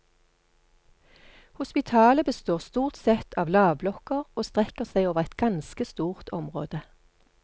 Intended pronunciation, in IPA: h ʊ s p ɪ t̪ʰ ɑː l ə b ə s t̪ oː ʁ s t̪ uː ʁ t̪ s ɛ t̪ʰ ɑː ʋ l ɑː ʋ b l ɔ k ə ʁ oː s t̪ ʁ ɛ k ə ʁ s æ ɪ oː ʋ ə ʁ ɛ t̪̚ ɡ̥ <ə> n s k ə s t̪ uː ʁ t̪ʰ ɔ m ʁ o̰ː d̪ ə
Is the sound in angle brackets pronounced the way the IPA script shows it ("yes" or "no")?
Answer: no